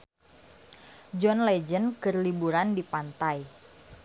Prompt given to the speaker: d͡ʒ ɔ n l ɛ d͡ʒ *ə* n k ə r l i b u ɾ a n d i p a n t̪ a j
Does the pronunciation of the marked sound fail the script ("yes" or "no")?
no